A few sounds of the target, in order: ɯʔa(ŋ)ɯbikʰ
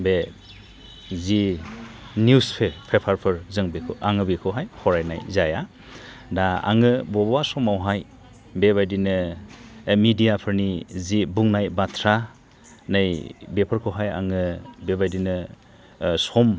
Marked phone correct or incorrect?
correct